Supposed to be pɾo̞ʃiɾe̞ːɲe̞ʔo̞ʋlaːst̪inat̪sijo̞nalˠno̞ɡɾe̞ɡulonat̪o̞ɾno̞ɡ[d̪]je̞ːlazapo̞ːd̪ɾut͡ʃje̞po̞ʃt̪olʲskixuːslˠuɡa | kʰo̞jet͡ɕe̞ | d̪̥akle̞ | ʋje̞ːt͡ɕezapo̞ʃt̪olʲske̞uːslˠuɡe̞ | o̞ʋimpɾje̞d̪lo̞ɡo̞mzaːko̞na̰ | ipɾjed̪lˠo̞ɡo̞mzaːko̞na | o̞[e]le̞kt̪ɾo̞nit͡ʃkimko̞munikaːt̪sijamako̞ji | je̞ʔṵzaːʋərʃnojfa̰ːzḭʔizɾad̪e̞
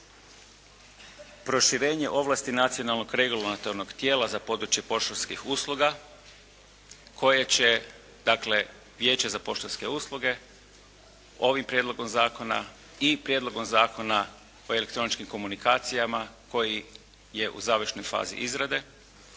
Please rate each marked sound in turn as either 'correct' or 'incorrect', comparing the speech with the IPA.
incorrect: t̪, correct

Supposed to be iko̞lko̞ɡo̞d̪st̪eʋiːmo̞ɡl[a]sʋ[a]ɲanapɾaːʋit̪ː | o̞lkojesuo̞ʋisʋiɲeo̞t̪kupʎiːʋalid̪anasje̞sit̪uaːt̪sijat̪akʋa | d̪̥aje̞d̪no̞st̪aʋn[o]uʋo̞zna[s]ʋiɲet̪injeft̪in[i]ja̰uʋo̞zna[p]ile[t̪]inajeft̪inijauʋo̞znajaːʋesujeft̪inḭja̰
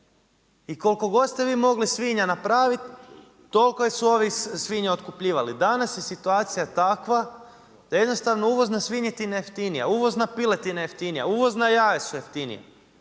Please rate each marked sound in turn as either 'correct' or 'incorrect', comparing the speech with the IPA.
incorrect: i, incorrect: i, correct, correct, correct, correct, correct

